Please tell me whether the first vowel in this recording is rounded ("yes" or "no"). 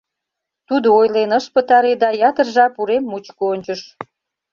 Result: yes